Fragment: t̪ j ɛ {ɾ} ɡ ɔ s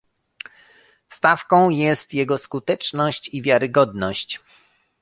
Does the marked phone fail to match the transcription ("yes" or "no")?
yes